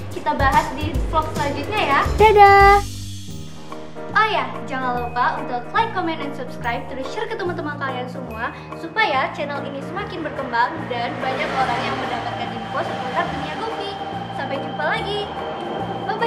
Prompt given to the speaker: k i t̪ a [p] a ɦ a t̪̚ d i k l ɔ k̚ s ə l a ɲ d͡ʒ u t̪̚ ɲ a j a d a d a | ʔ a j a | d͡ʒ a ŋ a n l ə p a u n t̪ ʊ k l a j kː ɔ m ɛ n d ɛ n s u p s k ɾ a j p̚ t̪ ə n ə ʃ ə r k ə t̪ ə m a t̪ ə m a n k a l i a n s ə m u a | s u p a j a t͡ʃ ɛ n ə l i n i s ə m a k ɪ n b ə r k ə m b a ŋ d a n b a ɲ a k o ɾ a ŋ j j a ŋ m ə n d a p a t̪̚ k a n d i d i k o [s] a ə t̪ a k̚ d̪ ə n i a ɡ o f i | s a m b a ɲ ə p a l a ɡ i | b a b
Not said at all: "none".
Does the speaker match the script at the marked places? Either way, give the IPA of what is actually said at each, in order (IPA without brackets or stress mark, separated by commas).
b, s